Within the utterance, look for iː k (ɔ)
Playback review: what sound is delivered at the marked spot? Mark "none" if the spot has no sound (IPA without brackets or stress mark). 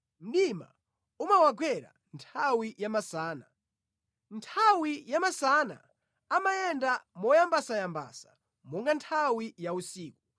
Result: u